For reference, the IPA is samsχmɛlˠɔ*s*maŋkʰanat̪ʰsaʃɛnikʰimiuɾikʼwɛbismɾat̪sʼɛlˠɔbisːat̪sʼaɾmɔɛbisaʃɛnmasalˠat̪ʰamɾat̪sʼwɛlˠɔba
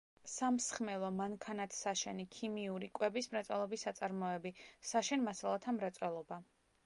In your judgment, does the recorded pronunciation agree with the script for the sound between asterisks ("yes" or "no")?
no